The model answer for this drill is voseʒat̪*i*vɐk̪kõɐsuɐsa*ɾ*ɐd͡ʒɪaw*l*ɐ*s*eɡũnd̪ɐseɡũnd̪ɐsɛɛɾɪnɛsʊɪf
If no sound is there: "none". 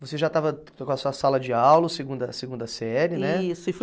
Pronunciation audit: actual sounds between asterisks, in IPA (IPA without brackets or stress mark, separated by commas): a, l, l, s